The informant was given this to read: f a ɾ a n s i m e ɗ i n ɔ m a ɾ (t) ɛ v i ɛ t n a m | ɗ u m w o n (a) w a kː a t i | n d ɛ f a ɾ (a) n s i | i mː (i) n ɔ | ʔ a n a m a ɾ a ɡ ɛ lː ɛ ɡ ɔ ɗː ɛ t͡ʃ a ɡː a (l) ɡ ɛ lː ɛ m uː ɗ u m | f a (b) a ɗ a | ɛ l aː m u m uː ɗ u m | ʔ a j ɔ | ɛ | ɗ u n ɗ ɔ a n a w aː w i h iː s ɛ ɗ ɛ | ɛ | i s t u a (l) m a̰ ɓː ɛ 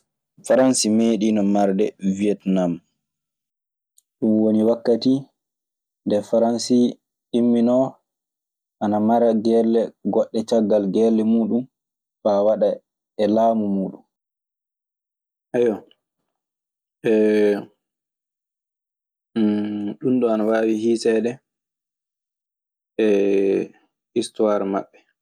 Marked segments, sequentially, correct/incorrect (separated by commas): incorrect, incorrect, correct, correct, correct, incorrect, incorrect